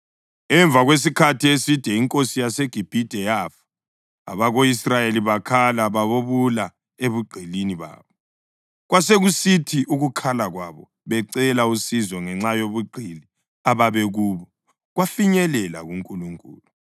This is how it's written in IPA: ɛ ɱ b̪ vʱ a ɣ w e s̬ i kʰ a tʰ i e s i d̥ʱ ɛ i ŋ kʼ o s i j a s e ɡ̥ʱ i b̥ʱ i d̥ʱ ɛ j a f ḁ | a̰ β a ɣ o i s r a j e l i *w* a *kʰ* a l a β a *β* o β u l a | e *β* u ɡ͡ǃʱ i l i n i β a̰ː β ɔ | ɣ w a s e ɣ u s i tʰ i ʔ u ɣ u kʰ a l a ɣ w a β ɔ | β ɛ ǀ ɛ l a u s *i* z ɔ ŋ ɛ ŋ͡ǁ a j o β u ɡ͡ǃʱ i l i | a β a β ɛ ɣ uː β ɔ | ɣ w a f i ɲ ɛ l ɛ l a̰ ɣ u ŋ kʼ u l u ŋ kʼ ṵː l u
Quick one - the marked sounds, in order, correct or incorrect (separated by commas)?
incorrect, correct, correct, correct, correct